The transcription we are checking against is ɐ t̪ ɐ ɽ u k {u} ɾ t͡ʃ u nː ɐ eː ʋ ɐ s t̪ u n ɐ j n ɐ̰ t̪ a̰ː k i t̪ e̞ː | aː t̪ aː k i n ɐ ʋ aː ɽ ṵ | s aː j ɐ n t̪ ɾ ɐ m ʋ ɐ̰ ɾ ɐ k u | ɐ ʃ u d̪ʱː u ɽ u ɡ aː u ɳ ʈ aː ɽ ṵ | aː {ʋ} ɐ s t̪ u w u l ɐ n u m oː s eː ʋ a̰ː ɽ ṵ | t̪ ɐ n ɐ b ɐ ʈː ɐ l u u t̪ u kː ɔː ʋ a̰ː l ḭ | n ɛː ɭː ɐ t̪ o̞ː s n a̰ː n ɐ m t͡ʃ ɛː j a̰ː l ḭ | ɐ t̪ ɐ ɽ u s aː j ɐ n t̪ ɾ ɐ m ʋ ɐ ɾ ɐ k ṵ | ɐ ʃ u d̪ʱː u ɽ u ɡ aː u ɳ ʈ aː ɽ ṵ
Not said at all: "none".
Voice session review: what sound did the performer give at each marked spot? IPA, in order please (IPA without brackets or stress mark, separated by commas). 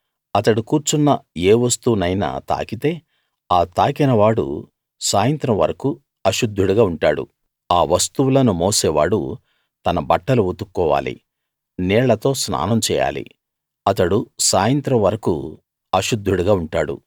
uː, ʋ